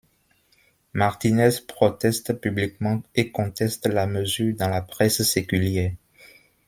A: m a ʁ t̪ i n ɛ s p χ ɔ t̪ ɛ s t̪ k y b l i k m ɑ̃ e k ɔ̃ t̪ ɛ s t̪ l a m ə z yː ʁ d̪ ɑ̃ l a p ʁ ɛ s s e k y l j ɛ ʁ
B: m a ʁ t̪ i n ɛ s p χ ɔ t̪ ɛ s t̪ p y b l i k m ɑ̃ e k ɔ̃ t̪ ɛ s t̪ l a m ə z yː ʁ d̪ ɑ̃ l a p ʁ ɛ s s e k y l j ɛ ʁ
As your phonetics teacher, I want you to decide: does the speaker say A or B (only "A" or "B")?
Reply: B